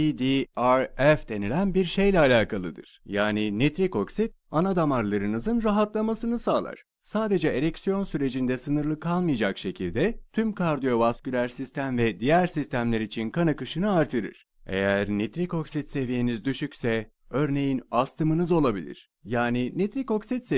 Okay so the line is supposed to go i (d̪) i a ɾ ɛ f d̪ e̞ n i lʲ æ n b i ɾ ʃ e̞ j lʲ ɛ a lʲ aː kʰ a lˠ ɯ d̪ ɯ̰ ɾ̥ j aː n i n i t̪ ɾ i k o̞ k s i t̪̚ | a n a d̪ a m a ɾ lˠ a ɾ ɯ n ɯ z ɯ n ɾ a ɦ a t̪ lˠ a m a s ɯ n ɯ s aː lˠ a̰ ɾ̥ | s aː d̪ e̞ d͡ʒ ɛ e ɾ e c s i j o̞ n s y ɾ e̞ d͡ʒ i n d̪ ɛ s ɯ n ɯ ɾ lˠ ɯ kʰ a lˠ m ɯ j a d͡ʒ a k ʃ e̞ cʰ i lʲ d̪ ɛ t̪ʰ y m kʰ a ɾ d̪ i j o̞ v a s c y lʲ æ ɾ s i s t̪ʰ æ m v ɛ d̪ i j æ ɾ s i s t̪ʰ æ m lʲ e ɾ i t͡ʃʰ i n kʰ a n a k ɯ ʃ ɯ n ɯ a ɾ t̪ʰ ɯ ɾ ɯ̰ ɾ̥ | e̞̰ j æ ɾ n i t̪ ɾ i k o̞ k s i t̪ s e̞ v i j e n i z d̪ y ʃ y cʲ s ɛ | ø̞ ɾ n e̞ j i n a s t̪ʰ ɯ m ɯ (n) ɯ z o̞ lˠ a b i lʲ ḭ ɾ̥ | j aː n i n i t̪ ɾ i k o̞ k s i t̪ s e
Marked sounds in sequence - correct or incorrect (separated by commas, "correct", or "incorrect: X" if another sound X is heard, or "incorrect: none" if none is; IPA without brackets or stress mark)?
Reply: correct, correct